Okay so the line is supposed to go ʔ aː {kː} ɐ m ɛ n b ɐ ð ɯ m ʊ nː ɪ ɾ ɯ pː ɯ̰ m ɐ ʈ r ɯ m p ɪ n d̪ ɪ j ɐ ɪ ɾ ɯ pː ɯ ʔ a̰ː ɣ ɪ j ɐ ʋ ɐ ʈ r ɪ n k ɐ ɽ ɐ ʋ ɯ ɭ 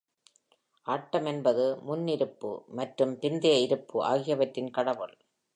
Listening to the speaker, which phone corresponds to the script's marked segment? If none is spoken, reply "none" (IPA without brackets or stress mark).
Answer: ʈː